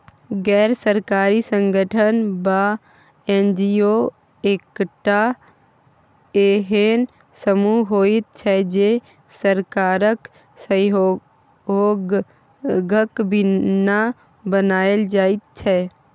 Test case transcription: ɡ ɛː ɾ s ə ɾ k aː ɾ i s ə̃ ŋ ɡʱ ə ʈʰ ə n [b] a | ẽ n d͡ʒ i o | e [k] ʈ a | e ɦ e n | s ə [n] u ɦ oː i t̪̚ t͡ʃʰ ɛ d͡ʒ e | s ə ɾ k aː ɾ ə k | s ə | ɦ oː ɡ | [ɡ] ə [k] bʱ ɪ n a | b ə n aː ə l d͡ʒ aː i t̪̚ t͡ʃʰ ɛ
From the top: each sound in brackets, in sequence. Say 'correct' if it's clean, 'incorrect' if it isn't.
correct, correct, incorrect: m, correct, correct

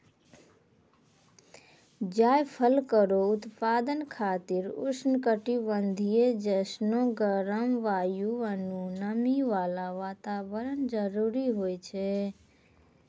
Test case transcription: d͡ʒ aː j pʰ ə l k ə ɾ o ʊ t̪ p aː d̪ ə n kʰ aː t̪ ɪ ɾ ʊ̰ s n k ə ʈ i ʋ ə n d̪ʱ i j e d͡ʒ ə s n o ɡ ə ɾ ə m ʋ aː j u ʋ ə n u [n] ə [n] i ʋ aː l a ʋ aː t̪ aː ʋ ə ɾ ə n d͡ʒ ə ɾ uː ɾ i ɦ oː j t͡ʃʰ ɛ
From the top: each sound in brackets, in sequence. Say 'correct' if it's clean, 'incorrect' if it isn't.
correct, incorrect: m

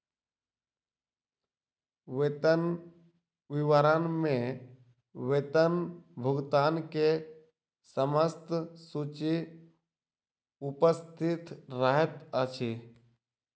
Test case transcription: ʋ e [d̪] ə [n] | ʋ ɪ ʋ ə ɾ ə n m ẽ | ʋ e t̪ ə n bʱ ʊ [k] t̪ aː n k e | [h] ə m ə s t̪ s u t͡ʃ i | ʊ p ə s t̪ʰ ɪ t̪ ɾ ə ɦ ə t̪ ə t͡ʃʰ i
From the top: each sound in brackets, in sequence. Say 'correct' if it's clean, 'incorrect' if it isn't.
incorrect: t̪, correct, incorrect: ɡ, incorrect: s

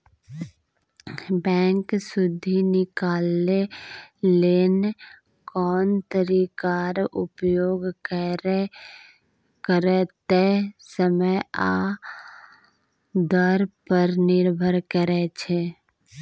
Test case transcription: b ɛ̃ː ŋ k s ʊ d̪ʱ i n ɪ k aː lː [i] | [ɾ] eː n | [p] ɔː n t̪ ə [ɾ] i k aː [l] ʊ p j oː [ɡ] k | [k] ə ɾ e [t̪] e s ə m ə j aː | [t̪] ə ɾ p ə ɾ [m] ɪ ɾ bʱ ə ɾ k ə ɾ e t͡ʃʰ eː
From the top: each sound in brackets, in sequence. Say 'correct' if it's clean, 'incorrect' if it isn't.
incorrect: e, incorrect: l, incorrect: k, correct, incorrect: ɾ, correct, correct, correct, incorrect: d̪, incorrect: n

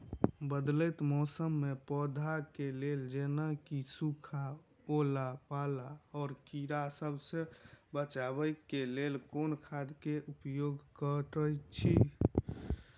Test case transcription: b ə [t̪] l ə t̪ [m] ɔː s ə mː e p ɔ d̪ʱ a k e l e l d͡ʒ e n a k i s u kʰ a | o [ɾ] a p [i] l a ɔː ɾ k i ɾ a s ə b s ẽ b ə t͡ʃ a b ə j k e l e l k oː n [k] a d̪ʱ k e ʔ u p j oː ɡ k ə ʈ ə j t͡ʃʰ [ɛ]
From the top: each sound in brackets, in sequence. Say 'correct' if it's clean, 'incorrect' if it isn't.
incorrect: d̪, correct, incorrect: l, incorrect: a, incorrect: kʰ, incorrect: i

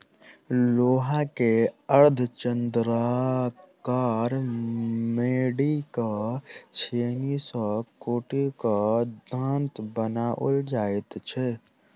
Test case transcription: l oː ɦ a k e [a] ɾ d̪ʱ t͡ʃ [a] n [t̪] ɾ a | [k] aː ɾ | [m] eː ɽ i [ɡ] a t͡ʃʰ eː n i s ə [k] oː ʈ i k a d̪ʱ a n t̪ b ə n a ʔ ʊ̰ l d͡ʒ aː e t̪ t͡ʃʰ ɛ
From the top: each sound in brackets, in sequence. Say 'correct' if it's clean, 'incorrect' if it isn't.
incorrect: ə, incorrect: ə, incorrect: d̪, correct, correct, incorrect: k, correct

